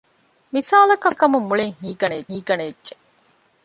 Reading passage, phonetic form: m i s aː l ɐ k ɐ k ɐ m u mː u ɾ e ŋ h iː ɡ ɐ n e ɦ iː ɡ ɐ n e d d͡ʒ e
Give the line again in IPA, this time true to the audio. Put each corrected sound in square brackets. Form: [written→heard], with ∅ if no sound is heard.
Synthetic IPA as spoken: m i s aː l ɐ k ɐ k ɐ m u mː u [ɾ→ɭ] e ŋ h iː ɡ ɐ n e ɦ iː ɡ ɐ n e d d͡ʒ e